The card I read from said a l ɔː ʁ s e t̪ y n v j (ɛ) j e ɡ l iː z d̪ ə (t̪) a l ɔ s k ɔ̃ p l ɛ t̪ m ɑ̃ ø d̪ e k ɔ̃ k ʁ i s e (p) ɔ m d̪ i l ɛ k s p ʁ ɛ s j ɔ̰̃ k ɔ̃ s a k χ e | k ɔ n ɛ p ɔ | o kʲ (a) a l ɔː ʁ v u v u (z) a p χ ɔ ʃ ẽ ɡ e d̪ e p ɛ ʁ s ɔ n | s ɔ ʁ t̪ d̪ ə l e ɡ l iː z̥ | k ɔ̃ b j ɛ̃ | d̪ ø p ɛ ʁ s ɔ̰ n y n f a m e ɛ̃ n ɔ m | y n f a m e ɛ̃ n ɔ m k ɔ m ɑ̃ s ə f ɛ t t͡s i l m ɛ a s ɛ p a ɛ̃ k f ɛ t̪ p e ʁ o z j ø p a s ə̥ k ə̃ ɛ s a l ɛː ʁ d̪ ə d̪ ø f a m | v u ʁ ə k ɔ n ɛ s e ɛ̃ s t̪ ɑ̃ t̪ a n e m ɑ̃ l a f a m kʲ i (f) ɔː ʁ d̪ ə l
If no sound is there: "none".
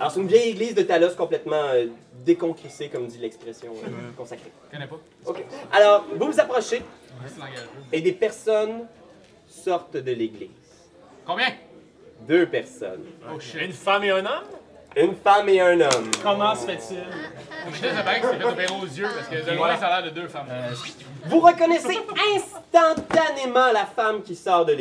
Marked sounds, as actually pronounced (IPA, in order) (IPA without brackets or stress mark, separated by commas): ɛ, t̪, k, e, z, s